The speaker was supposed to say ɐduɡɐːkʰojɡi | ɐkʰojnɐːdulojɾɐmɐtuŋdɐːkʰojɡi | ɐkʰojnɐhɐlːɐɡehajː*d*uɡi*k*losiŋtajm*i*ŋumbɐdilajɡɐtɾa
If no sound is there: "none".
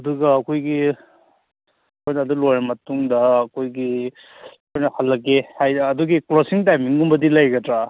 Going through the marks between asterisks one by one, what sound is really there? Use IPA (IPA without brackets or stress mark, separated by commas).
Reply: d, k, i